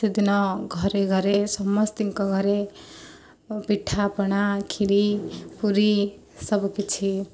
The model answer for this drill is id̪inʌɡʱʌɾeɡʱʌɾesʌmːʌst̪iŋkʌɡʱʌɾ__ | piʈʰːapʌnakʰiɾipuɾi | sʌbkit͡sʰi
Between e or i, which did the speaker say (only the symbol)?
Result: e